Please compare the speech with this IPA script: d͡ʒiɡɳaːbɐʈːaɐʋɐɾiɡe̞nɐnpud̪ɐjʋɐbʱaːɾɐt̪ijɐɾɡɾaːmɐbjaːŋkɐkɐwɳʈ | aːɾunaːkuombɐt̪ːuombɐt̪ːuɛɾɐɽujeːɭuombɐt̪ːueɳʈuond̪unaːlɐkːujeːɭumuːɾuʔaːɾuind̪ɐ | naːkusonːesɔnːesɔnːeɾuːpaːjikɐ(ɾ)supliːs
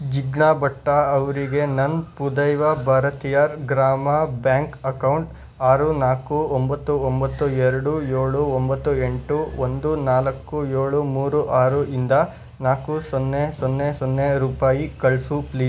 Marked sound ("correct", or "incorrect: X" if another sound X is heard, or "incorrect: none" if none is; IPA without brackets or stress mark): incorrect: ɭ